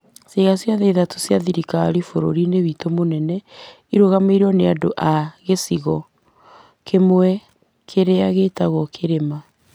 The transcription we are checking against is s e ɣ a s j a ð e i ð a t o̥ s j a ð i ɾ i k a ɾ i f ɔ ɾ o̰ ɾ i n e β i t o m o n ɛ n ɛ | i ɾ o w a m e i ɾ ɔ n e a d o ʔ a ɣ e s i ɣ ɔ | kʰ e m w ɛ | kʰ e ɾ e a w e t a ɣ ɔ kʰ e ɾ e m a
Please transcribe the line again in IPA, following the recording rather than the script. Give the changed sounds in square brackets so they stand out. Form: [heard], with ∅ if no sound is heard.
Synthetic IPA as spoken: s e ɣ a s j a ð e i ð a t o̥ s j a ð i ɾ i k a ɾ i f [o] ɾ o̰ ɾ i n e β i t o m o n ɛ n ɛ | i ɾ o [ɣ] a m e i ɾ ɔ n e a d o ʔ a ɣ e s i ɣ ɔ | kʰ e m w ɛ | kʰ e ɾ e a [ɣ] e t a ɣ ɔ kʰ e ɾ e m a